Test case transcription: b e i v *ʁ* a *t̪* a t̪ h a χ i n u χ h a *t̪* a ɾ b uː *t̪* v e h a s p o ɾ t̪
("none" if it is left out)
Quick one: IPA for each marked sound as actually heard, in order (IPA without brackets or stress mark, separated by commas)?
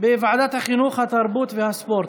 ʕ, d̪, t̪, t̪